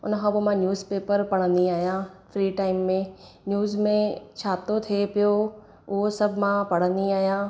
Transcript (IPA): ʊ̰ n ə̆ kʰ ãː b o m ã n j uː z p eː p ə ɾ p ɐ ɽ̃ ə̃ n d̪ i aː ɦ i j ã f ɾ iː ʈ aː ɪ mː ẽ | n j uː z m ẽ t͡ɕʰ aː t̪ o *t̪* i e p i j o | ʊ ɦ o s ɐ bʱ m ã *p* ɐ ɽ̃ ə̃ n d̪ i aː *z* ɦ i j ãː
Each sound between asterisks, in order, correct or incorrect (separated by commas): incorrect, correct, incorrect